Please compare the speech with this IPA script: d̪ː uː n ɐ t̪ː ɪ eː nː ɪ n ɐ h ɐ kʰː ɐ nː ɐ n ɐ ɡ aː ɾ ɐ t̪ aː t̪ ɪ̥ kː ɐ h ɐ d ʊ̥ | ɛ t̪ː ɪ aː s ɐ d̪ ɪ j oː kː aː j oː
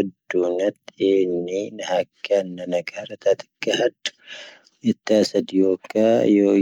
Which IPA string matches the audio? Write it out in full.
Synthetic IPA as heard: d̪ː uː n ɐ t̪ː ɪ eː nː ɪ n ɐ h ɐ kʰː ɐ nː ɐ n ɐ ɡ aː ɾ ɐ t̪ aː t̪ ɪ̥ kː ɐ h ɐ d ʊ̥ | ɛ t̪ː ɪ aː s ɐ d̪ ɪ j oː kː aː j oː